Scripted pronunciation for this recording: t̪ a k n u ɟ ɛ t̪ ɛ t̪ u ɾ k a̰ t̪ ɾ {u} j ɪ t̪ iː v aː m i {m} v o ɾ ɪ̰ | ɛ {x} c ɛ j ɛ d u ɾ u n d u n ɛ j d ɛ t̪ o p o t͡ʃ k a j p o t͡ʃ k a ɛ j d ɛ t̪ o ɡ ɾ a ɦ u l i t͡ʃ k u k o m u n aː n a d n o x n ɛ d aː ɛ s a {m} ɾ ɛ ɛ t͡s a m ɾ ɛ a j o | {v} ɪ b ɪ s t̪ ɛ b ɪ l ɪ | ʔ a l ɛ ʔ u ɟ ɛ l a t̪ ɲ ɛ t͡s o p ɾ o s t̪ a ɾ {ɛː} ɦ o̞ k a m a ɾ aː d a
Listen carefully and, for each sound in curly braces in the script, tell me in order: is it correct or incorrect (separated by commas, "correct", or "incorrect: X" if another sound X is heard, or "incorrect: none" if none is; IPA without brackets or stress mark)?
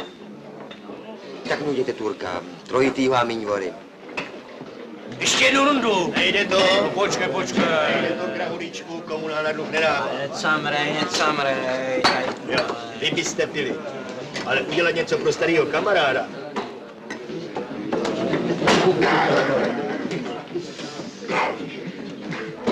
incorrect: o, incorrect: ɲ, incorrect: ʃ, correct, correct, incorrect: iː